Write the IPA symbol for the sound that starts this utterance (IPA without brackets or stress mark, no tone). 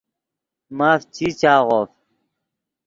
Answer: m